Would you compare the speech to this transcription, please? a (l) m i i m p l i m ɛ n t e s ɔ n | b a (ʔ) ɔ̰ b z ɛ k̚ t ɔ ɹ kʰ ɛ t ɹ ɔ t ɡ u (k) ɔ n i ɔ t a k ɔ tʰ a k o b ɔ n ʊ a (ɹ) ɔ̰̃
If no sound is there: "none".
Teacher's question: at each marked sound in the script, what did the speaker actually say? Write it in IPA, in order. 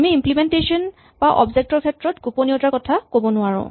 none, ʔ, p, ɹ

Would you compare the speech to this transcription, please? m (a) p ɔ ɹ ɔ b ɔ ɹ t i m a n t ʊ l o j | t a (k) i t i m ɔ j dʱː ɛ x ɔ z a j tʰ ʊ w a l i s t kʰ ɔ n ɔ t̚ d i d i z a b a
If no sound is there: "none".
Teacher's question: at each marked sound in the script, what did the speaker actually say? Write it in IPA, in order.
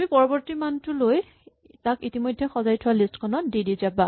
i, k

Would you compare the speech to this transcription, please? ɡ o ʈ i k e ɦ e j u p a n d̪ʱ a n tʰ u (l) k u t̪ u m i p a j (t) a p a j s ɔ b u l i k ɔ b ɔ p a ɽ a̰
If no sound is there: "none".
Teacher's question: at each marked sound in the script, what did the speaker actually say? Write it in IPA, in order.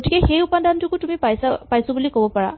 none, s

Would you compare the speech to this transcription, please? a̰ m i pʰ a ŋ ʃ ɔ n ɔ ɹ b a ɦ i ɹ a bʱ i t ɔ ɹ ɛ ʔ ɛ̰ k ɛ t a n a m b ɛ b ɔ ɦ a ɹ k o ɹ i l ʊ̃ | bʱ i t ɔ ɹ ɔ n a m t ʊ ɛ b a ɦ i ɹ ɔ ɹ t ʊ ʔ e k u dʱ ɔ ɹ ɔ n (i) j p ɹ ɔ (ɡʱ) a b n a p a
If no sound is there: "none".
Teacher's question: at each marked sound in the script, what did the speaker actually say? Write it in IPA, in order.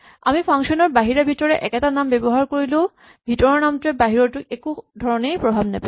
e, bʱ

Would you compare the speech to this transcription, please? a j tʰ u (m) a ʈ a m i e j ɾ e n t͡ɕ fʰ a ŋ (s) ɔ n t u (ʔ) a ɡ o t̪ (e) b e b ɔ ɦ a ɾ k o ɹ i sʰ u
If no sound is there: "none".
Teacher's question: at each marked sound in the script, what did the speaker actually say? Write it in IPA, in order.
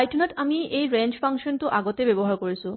n, ʃ, ʔ, e

